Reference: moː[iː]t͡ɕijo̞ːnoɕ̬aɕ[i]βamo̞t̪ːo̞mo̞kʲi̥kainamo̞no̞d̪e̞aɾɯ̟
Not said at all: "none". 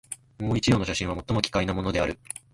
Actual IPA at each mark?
i, ĩ

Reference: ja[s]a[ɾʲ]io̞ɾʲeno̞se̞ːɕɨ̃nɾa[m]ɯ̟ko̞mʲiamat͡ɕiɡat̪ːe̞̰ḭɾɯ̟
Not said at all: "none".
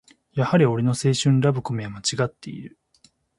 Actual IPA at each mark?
h, ɾʲ, b

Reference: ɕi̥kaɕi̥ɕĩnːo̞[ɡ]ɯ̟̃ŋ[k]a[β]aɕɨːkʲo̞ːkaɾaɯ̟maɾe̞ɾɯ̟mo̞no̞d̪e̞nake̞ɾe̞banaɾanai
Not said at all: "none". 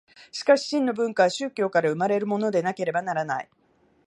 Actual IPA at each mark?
b, k, β

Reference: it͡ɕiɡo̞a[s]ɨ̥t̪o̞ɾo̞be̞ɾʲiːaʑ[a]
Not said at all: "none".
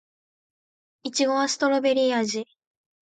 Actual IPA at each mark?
s, i

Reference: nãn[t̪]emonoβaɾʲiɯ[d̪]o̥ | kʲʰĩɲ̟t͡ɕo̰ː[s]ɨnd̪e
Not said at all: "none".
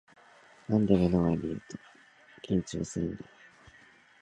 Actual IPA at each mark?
d̪, t̪, s

